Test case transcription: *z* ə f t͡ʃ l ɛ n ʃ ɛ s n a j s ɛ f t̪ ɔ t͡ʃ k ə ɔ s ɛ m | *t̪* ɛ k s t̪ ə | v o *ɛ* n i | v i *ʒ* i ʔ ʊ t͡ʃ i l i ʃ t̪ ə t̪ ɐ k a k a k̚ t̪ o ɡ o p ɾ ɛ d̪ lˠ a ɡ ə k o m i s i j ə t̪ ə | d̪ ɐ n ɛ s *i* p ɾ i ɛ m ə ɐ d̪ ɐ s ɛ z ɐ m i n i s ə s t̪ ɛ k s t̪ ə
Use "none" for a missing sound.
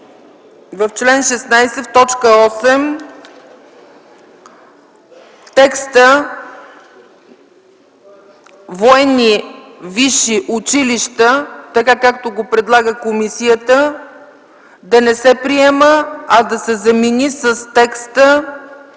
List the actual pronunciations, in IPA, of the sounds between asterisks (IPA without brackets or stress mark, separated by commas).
v, t̪, ɛ, ʃ, ɛ